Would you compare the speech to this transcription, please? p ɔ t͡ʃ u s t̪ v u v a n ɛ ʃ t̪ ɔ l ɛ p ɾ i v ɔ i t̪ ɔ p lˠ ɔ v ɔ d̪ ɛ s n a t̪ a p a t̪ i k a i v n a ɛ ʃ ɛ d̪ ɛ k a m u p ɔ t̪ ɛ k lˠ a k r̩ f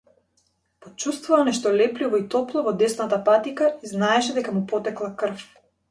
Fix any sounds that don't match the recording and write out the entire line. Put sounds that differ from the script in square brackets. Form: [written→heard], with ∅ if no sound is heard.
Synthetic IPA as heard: p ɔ t͡ʃ u s t̪ v u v a n ɛ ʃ t̪ ɔ l ɛ p [ɾ→l] i v ɔ i t̪ ɔ p lˠ ɔ v ɔ d̪ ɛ s n a t̪ a p a t̪ i k a i [v→z] n a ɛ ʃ ɛ d̪ ɛ k a m u p ɔ t̪ ɛ k lˠ a k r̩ f